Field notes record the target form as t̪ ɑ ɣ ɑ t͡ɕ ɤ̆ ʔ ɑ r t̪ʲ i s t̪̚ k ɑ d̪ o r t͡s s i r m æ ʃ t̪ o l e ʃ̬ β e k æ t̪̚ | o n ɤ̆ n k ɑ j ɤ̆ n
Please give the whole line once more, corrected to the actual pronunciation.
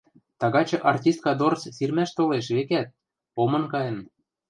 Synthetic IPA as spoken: t̪ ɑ ɣ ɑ t͡ɕ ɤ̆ ʔ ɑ r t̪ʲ i s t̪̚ k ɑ d̪ o r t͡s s i r m æ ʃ t̪ o l e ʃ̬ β e k æ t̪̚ | o m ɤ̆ n k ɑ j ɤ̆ n

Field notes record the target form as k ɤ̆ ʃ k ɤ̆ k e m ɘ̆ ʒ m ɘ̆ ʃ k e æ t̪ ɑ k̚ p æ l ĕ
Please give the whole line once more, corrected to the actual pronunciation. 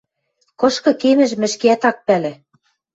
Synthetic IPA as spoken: k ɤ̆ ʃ k ɤ̆ k e m ɘ̆ ʒ m ɘ̆ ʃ k e æ t̪ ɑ k̚ p æ l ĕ

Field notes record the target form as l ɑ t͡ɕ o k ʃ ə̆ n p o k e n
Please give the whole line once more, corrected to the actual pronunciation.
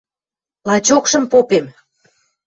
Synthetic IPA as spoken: l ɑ t͡ɕ o k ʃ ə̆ m p o p e m

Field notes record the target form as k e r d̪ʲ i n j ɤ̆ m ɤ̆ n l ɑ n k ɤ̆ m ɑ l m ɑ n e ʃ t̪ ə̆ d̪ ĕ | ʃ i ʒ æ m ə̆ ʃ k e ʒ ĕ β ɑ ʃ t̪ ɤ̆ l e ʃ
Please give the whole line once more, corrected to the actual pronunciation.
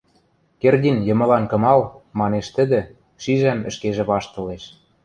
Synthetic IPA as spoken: k e r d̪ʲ i n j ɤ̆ m ɤ̆ l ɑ n k ɤ̆ m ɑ l m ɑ n e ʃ t̪ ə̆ d̪ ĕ | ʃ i ʒ æ m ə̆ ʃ k e ʒ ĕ β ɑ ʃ t̪ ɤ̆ l e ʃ

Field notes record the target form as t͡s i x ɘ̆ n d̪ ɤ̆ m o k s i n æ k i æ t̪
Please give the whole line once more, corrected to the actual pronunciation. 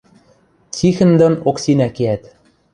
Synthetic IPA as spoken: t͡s i x ɘ̆ n d̪ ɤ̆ n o k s i n æ k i æ t̪

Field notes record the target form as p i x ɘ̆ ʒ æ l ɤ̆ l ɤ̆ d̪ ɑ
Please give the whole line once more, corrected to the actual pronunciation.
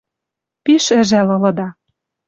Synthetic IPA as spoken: p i ʃ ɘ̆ ʒ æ l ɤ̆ l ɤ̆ d̪ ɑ

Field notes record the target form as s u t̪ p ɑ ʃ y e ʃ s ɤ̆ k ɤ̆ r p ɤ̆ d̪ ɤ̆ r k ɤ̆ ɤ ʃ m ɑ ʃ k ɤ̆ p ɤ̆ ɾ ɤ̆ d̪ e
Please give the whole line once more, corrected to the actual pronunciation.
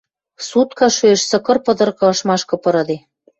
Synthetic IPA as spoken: s u t̪ k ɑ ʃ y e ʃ s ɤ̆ k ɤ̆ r p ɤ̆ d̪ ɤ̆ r k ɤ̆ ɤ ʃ m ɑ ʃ k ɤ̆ p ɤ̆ ɾ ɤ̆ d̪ e

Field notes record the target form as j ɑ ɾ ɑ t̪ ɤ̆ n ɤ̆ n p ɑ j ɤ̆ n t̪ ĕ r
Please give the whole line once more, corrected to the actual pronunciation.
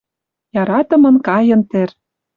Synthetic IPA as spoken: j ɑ ɾ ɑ t̪ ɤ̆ m ɤ̆ n k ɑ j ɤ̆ n t̪ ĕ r

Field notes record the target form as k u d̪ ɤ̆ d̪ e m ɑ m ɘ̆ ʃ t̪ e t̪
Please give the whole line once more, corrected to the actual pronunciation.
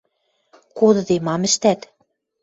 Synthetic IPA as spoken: k o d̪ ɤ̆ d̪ e m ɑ m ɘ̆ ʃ t̪ æ t̪

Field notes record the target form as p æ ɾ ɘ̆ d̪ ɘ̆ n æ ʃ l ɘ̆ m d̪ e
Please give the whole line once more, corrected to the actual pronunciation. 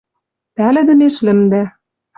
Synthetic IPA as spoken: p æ l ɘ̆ d̪ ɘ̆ n e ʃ l ɘ̆ m d̪ æ

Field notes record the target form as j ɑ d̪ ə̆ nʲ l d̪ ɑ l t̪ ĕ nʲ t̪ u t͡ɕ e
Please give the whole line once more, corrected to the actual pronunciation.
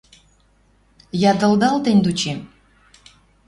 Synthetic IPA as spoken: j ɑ d̪ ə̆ l d̪ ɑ l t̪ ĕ nʲ d̪ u t͡ɕ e

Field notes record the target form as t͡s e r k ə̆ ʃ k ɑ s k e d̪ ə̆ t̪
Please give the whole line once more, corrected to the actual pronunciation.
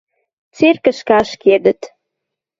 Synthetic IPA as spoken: t͡s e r k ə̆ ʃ k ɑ ʃ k e d̪ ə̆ t̪

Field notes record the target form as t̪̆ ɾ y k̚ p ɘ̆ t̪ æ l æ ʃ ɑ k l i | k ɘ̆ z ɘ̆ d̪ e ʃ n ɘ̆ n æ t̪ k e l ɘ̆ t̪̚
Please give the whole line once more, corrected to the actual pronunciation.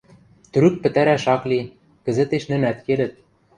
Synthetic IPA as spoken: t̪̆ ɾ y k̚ p ɘ̆ t̪ æ ɾ æ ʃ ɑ k l i | k ɘ̆ z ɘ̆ t̪ e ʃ n ɘ̆ n æ t̪ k e l ɘ̆ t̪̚

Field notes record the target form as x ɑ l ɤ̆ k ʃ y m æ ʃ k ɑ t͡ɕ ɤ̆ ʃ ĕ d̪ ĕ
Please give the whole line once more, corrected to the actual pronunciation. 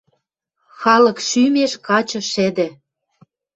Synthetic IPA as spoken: x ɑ l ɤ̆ k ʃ y m e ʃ k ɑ t͡ɕ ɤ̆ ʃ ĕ d̪ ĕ

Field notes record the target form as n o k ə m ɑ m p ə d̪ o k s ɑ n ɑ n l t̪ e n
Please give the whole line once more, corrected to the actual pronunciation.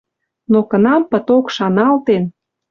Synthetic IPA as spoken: n o k ə n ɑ m p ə t̪ o k ʃ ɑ n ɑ l t̪ e n

